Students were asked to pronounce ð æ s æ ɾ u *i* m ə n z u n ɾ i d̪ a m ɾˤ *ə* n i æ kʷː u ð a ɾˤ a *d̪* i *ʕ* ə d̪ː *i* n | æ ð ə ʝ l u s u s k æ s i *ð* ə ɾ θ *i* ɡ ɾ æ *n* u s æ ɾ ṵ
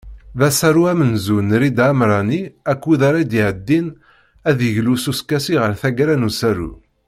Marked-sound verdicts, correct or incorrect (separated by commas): incorrect, incorrect, correct, correct, correct, incorrect, incorrect, correct